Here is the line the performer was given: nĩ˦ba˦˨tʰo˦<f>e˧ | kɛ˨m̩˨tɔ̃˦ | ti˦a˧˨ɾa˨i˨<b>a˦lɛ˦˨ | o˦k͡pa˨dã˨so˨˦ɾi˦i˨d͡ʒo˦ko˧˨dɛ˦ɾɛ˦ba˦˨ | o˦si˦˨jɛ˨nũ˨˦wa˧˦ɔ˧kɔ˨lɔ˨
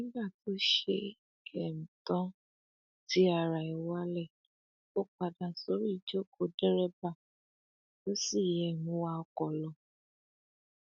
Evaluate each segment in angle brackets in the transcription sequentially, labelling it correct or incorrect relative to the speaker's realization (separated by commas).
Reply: incorrect, incorrect